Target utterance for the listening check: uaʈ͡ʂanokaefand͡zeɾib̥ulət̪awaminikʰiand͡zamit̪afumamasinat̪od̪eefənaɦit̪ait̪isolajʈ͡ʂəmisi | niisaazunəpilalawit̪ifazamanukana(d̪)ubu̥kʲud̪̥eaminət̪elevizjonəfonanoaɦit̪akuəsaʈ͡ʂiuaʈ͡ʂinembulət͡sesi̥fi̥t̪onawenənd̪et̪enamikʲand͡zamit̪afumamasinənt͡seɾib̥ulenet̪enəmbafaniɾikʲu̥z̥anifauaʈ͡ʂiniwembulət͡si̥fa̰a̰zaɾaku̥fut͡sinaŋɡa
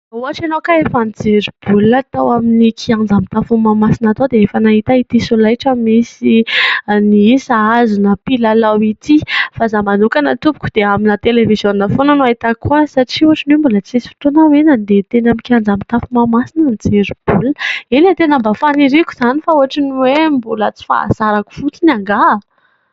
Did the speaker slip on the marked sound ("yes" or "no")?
yes